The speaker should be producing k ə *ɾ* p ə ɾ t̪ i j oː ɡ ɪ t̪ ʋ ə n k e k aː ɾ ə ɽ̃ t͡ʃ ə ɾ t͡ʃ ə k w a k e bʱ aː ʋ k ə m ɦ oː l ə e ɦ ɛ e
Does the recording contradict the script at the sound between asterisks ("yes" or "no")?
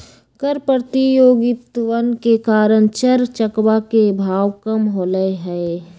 no